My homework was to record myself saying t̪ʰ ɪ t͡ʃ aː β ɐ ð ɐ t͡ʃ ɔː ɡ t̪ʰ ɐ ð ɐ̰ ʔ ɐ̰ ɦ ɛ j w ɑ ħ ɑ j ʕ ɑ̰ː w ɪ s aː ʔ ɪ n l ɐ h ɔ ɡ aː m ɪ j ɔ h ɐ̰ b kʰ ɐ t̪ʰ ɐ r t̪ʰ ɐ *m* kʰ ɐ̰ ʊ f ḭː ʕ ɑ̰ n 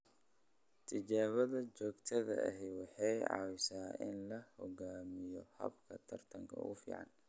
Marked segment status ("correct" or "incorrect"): incorrect